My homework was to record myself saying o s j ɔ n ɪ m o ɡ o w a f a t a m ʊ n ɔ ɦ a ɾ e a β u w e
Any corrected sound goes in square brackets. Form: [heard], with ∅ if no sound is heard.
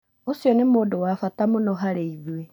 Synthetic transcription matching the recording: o s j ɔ n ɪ m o [d] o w a f a t a m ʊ n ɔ ɦ a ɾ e [i] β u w e